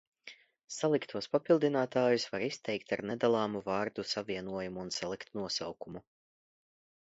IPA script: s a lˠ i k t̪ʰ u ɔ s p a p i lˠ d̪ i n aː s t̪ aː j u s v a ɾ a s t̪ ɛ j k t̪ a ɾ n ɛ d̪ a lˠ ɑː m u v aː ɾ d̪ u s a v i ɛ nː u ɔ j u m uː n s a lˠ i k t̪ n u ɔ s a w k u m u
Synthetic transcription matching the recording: s a lˠ i k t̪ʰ u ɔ s p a p i lˠ d̪ i n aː t̪ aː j u s v a ɾ i s t̪ ɛ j k t̪ a ɾ n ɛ d̪ a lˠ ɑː m u v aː ɾ d̪ u s a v i ɛ n u ɔ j u m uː n s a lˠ i k t̪ n u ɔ s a w k u m u